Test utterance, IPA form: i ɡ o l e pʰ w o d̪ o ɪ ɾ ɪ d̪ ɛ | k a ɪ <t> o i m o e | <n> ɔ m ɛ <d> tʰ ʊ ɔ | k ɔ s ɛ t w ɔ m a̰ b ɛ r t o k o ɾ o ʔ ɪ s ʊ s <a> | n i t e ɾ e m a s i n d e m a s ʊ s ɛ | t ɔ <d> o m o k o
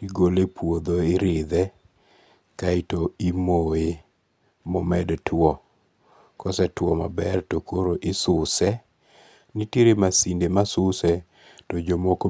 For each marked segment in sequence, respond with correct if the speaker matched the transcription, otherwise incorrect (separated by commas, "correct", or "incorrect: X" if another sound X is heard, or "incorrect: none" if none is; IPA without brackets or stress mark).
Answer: correct, incorrect: m, correct, incorrect: ɛ, incorrect: d͡ʒ